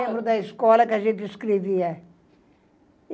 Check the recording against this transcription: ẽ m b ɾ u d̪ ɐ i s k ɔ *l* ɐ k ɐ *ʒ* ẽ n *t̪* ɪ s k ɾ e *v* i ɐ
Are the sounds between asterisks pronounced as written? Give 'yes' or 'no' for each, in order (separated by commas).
yes, yes, yes, yes